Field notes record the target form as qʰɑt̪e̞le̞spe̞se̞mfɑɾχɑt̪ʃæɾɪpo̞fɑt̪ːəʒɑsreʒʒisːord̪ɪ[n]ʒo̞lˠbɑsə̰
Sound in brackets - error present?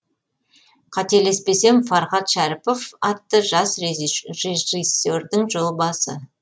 yes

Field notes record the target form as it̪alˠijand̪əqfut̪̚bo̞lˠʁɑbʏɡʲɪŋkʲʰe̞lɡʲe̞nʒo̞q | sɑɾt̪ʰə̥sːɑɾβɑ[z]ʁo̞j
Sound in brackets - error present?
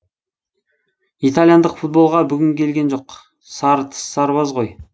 no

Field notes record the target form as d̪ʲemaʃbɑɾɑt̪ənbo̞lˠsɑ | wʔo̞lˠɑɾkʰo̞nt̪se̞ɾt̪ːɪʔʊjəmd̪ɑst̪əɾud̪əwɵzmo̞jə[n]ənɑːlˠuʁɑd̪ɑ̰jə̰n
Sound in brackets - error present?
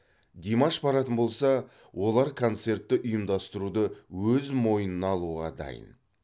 no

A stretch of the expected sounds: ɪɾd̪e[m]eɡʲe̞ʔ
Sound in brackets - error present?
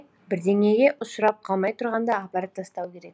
yes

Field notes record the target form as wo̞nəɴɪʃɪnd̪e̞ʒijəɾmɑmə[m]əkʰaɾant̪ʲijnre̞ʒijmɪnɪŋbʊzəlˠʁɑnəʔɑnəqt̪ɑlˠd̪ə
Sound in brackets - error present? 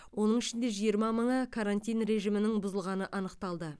yes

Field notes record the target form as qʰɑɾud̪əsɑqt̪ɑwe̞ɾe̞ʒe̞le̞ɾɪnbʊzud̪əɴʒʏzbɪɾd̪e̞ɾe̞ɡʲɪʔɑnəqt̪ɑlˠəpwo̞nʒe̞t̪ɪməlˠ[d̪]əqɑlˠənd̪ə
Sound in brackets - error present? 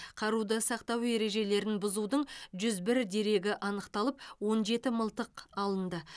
yes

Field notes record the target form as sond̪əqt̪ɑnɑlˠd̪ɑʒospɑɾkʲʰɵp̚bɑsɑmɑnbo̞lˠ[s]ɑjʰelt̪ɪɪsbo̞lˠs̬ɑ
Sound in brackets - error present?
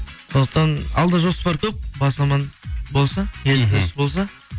no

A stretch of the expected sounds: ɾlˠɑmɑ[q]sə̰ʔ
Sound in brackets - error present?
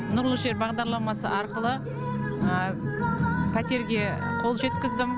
yes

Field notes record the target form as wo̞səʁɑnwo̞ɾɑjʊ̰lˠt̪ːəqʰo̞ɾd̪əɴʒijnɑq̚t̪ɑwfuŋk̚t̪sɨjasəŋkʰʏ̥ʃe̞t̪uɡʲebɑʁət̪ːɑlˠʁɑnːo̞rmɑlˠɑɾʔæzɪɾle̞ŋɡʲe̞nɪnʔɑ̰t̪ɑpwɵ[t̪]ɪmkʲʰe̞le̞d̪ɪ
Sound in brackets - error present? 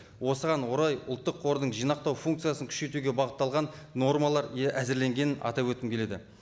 no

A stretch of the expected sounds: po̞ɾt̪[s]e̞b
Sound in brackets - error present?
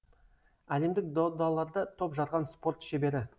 yes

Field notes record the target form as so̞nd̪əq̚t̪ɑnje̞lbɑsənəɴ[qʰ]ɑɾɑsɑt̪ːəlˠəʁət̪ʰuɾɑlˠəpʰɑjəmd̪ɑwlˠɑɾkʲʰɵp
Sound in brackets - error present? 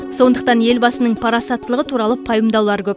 yes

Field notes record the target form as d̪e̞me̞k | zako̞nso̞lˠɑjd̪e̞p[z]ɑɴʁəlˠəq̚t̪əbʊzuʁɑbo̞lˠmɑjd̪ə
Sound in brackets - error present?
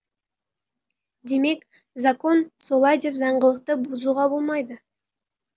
no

